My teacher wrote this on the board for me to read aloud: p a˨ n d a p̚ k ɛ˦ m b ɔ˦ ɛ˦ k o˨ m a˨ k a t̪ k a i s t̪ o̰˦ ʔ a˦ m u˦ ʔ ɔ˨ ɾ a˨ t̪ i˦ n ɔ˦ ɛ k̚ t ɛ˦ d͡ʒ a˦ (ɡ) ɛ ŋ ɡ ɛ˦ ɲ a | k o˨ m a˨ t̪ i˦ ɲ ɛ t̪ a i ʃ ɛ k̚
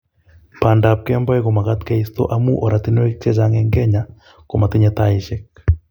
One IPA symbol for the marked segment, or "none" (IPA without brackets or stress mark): ŋ